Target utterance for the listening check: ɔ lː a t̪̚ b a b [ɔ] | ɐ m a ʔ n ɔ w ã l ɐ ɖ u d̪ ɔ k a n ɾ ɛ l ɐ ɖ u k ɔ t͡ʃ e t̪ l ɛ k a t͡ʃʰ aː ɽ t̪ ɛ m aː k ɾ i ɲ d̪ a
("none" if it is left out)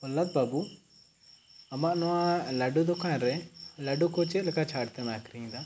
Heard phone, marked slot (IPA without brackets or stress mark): u